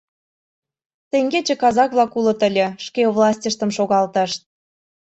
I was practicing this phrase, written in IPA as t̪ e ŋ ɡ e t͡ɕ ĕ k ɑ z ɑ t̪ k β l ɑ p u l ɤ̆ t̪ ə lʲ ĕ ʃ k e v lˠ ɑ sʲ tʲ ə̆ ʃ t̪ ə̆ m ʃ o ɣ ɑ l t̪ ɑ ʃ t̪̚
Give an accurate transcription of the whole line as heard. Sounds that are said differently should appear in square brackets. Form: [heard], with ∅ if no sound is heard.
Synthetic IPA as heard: t̪ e ŋ ɡ e t͡ɕ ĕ k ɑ z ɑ [∅] k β l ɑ [k] u l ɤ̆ t̪ ə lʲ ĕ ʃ k e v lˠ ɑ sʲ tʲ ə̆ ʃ t̪ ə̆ m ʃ o ɣ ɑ l t̪ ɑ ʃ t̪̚